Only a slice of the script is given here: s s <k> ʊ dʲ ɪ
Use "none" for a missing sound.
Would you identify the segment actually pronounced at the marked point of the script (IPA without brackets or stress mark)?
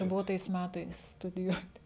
t